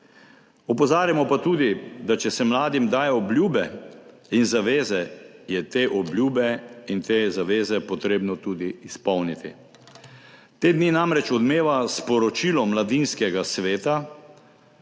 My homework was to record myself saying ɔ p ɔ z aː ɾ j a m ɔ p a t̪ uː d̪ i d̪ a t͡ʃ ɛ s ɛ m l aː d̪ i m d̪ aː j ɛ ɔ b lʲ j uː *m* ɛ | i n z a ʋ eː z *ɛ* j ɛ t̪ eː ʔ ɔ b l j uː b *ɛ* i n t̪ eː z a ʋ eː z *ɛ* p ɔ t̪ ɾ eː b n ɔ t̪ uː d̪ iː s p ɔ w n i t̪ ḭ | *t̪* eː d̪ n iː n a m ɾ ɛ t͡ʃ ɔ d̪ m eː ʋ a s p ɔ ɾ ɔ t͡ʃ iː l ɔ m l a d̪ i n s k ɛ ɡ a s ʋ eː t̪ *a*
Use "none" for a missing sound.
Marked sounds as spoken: b, ɛ, ɛ, ɛ, t̪, a

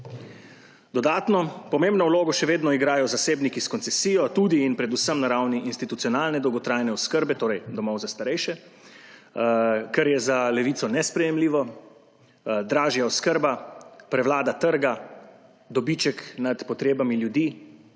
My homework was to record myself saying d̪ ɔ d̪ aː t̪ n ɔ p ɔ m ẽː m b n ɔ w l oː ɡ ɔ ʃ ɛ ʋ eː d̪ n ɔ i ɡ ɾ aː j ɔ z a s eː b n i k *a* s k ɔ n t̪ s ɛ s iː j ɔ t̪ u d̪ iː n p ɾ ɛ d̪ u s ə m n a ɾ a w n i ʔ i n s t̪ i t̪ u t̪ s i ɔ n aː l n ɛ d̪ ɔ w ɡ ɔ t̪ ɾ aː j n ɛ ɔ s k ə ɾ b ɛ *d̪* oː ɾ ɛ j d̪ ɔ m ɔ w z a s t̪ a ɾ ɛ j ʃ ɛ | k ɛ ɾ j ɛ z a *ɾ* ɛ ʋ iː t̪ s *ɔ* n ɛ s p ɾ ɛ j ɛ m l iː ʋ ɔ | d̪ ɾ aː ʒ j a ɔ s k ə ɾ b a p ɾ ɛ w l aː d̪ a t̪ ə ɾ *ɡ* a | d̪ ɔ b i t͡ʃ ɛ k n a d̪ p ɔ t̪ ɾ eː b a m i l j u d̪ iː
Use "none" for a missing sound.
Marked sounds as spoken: i, t̪, l, ɔ, ɡ

